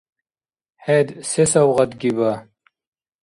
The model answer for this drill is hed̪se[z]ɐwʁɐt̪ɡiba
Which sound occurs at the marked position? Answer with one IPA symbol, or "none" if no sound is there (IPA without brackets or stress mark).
s